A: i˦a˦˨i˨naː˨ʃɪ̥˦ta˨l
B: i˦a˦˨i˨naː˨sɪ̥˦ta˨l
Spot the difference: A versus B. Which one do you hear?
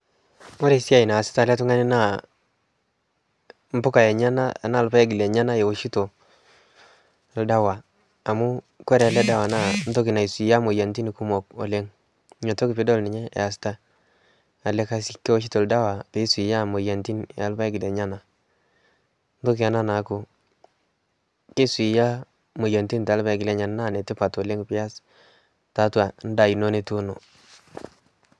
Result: B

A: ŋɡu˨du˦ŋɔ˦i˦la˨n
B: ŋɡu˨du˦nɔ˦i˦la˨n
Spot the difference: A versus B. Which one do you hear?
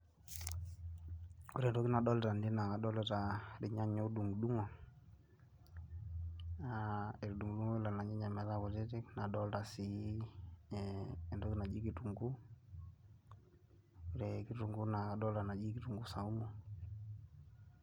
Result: A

